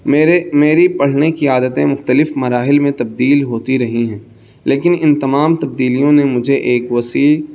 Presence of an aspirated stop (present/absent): absent